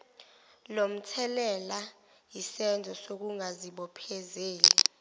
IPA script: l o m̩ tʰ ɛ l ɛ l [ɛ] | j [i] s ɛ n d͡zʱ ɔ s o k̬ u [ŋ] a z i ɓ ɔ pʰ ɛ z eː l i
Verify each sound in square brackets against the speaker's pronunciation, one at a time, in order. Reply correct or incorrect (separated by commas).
incorrect, correct, correct